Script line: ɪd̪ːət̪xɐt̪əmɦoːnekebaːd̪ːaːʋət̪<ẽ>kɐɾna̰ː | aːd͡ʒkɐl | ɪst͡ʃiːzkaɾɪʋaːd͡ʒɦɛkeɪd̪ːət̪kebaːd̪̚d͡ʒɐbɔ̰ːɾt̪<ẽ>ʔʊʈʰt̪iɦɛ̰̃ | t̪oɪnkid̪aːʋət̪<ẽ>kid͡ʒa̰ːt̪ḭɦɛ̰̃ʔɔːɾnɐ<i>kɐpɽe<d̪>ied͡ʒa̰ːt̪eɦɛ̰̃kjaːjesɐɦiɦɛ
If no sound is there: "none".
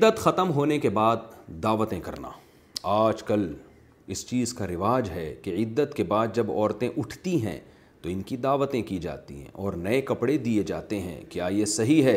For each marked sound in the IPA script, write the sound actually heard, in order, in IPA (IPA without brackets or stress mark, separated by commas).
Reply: ẽ, ẽ, ẽ, e, d̪